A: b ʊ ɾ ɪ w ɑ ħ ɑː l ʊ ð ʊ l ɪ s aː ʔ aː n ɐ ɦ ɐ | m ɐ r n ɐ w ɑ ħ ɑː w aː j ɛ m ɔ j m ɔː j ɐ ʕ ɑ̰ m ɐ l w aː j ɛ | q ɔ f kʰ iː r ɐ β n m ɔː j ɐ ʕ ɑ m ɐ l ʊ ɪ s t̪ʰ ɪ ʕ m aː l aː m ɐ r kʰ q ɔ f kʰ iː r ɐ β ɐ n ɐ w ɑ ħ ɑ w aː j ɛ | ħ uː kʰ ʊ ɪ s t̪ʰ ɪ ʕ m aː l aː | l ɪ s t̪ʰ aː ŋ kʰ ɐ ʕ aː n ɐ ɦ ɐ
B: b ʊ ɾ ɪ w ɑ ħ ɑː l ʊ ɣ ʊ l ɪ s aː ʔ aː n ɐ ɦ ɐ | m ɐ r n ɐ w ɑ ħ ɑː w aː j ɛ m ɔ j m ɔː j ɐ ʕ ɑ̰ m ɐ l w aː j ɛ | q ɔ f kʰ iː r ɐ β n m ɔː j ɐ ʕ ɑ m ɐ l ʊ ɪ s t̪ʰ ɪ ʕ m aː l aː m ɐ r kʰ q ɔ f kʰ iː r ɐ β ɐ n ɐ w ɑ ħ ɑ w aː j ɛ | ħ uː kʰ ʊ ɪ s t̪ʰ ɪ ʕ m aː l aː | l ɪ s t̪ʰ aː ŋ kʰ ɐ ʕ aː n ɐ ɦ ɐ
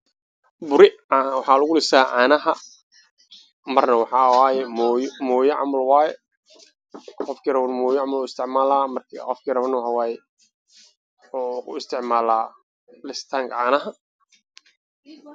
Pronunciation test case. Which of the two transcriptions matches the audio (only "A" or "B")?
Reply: B